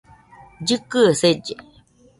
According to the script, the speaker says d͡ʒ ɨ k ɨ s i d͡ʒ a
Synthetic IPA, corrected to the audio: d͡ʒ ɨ k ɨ s e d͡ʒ e